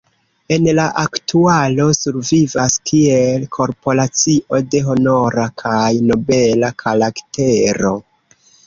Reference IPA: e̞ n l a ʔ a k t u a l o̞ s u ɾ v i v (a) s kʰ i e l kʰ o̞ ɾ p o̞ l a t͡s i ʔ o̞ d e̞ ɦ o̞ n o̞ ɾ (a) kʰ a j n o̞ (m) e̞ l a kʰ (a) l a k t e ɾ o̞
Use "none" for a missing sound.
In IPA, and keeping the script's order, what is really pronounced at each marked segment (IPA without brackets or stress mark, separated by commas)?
a, a, b, a